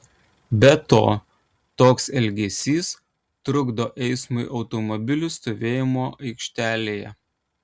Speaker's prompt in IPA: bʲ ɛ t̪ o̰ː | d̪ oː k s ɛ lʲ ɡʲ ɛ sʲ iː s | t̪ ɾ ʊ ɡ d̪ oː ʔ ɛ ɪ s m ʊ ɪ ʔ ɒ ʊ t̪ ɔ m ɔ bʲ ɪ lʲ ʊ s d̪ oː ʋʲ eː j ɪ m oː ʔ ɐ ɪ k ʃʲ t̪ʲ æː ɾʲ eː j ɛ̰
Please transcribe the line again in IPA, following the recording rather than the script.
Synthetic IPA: bʲ ɛ t̪ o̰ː | t̪ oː k s ɛ lʲ ɡʲ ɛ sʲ iː s | t̪ ɾ ʊ ɡ d̪ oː ʔ ɛ ɪ s m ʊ ɪ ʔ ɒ ʊ t̪ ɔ m ɔ bʲ ɪ lʲ ʊ s t̪ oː ʋʲ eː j ɪ m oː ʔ ɐ ɪ k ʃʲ t̪ʲ æː lʲ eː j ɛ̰